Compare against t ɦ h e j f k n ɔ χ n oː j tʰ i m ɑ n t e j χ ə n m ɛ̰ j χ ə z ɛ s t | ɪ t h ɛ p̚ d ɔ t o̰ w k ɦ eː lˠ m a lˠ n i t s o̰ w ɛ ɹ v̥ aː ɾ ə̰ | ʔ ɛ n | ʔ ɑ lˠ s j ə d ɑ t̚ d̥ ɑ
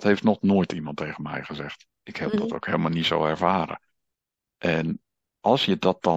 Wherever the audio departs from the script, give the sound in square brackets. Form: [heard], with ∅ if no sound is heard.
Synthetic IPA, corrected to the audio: t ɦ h e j f [t] n ɔ χ n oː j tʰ i m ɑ n t e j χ ə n m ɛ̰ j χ ə z ɛ [χ] t | ɪ [k] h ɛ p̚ d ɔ t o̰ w k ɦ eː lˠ m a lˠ n i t s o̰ w ɛ ɹ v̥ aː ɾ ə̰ | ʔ ɛ n | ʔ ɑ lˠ s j ə d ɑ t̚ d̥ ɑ